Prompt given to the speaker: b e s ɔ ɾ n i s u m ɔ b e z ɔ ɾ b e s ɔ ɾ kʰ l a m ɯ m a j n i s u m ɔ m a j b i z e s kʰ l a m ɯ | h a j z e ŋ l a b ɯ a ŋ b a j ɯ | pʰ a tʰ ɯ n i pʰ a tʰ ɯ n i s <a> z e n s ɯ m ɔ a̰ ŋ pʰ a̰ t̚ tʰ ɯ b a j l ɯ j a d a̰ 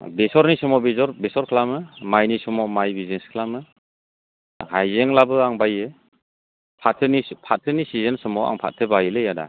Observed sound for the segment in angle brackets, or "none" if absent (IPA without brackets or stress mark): i